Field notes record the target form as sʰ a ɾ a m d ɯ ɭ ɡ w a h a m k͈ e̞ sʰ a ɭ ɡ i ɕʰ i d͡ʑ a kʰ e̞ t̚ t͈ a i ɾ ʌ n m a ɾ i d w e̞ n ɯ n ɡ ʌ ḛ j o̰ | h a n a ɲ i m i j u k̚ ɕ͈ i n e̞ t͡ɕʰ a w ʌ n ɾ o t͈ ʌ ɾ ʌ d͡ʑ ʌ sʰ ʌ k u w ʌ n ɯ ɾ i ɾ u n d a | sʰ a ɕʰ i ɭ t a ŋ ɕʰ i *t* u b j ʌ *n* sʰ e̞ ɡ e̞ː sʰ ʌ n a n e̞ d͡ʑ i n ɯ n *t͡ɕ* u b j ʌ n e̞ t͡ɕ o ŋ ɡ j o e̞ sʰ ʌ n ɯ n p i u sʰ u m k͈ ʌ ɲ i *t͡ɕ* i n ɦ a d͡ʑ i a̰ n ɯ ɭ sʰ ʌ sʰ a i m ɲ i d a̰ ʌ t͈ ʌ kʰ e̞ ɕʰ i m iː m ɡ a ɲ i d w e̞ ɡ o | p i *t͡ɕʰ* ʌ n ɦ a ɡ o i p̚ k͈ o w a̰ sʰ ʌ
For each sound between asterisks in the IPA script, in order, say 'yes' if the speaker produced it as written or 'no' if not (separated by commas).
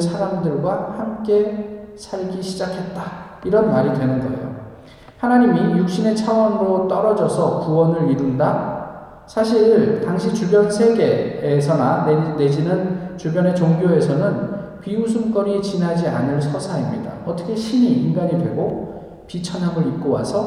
no, yes, yes, yes, yes